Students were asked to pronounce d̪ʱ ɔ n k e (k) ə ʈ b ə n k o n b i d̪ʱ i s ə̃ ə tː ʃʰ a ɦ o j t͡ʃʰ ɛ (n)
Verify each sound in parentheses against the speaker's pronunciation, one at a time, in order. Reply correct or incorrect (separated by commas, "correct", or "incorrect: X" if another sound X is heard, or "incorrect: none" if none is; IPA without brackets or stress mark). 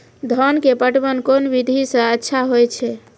incorrect: p, incorrect: none